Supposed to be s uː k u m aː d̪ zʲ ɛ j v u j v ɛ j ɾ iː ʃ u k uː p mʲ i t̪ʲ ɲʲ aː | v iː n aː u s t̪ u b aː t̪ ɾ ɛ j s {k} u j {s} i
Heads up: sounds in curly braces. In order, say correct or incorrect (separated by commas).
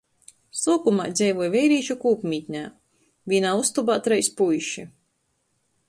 incorrect, incorrect